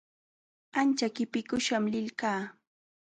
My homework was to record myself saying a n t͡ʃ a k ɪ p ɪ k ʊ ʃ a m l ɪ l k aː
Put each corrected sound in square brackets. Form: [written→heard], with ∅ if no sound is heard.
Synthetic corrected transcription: a n t͡ʃ a k ɪ p ɪ k ʊ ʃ a m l ɪ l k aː

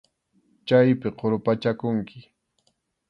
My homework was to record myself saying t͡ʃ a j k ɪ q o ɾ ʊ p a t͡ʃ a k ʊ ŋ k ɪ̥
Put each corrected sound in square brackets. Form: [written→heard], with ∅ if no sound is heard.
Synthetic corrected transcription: t͡ʃ a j [k→p] ɪ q o ɾ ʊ p a t͡ʃ a k ʊ ŋ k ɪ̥

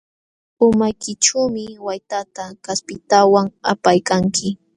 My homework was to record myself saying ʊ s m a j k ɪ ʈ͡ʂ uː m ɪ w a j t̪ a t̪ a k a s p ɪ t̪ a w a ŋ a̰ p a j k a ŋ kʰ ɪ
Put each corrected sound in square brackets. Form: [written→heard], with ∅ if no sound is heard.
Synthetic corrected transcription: ʊ [s→∅] m a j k ɪ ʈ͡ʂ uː m ɪ w a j t̪ a t̪ a k a s p ɪ t̪ a w a ŋ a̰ p a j k a ŋ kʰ ɪ

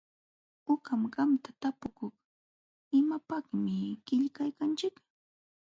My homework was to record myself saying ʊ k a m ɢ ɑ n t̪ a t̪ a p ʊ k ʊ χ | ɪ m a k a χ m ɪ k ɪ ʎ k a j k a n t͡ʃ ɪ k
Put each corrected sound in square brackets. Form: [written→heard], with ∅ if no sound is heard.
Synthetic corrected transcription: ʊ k a m ɢ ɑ [n→m] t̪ a t̪ a p ʊ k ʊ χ | ɪ m a [k→p] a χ m ɪ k ɪ ʎ k a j k a n t͡ʃ ɪ k

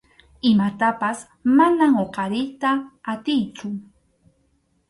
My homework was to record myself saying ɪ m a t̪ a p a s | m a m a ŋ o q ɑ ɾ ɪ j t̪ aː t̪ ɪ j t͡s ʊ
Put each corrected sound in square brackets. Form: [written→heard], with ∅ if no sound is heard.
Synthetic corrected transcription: ɪ m a t̪ a p a s | m a [m→n] a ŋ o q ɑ ɾ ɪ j t̪ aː t̪ ɪ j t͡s ʊ

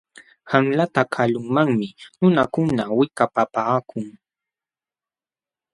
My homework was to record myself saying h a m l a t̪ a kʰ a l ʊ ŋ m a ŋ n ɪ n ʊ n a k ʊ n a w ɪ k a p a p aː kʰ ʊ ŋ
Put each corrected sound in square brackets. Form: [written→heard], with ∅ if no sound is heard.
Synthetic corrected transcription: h a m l a t̪ a kʰ a l ʊ ŋ m a ŋ [n→m] ɪ n ʊ n a k ʊ n a w ɪ k a p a p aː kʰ ʊ ŋ

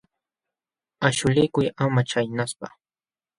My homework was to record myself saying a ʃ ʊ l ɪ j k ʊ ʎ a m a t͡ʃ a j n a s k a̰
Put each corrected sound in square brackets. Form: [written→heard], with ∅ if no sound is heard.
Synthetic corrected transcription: a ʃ ʊ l ɪ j k ʊ [ʎ→j] a m a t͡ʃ a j n a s [k→p] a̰

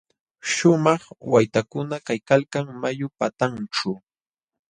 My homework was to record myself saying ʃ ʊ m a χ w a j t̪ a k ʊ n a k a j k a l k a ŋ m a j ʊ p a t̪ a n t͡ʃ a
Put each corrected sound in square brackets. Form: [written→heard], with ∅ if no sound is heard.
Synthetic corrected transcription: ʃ ʊ m [a→ɑ] χ w a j t̪ a k ʊ n a k a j k a l k a ŋ m a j ʊ p a t̪ a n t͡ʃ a

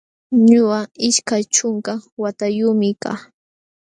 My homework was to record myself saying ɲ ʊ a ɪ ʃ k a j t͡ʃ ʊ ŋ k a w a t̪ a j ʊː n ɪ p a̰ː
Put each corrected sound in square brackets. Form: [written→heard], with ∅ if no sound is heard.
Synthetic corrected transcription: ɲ ʊ a ɪ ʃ k a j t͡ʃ ʊ ŋ k a w a t̪ a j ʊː [n→m] ɪ [p→k] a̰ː

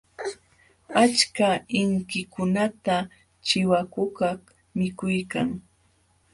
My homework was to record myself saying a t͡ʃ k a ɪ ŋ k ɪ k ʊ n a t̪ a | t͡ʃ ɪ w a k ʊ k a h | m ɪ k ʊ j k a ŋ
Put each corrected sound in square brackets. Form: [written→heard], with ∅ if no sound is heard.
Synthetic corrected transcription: a t͡ʃ k a ɪ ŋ k ɪ k ʊ n a t̪ a | t͡ʃ ɪ w a k ʊ k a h | m ɪ k ʊ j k a ŋ

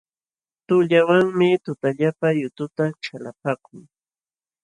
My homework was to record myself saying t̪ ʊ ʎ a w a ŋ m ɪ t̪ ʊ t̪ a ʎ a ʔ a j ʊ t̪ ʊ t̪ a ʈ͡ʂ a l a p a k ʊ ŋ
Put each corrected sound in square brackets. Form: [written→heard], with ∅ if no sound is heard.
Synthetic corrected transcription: t̪ ʊ ʎ a w a ŋ m ɪ t̪ ʊ t̪ a ʎ a [ʔ→p] a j ʊ t̪ ʊ t̪ a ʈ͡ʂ a l a p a k ʊ ŋ

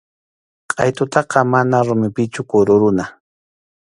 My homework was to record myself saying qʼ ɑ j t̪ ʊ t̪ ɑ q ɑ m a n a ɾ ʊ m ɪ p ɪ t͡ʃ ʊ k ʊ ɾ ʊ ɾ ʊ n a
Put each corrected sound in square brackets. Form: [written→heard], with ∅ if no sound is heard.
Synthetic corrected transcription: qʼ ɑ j t̪ ʊ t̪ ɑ q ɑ m a n a ɾ ʊ m ɪ p ɪ t͡ʃ ʊ k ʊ ɾ ʊ ɾ ʊ n a

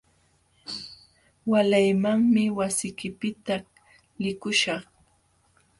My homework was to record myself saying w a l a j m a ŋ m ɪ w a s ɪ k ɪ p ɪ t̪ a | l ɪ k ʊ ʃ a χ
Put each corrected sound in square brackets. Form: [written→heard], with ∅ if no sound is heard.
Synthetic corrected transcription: w a l a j m a ŋ m ɪ w a s ɪ k ɪ p ɪ t̪ a | l ɪ k ʊ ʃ [a→ɑ] χ

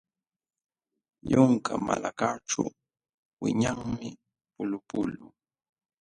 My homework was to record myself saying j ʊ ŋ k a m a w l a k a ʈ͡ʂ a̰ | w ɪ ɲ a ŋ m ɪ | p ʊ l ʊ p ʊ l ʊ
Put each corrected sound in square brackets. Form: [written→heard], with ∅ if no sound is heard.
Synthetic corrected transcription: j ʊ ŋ k a m a [w→∅] l a k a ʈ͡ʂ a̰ | w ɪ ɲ a ŋ m ɪ | p ʊ l ʊ p ʊ l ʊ

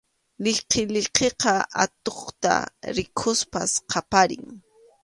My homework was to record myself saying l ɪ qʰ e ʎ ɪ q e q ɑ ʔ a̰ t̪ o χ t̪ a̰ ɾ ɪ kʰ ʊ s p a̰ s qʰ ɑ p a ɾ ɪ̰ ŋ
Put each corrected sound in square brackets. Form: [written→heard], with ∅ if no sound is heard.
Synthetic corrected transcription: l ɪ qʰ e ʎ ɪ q e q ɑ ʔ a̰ t̪ o χ t̪ a̰ ɾ ɪ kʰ ʊ s p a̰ s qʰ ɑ p a ɾ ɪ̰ ŋ

